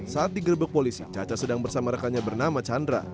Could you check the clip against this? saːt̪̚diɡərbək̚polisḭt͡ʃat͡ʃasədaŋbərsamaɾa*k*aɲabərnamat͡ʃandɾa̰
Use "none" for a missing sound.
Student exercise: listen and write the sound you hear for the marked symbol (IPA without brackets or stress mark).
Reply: k